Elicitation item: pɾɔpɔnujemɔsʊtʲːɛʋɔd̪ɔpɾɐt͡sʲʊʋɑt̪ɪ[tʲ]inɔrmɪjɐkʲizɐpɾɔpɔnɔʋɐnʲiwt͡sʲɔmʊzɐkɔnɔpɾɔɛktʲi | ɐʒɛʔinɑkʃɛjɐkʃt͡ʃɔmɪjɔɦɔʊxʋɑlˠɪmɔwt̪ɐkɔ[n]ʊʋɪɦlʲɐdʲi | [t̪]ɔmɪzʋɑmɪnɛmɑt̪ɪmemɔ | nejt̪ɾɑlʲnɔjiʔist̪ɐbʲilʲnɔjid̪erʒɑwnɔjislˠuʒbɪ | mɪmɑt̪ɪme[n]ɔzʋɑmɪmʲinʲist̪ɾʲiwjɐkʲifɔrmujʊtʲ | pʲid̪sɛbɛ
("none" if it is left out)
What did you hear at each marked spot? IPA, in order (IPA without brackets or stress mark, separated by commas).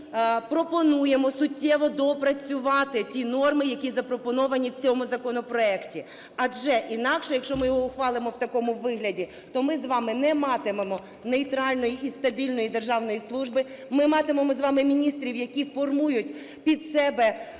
tʲ, m, t̪, m